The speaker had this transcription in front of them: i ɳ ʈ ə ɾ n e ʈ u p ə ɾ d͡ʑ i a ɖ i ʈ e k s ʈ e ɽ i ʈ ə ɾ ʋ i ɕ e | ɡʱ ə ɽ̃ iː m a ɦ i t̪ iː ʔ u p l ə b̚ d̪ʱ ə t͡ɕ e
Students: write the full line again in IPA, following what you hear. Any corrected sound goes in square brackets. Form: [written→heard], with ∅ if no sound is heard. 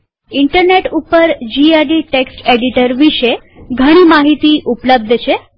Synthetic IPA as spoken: i ɳ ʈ ə ɾ n e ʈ u p ə ɾ d͡ʑ i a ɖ i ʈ e k s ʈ e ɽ i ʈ ə ɾ ʋ i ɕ e | ɡʱ ə ɽ̃ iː m a ɦ i t̪ iː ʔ u p l ə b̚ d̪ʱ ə t͡ɕ e